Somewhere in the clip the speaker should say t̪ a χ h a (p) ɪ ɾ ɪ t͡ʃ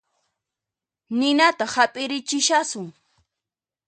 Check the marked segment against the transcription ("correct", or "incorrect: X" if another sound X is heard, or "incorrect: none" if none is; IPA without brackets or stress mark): incorrect: pʼ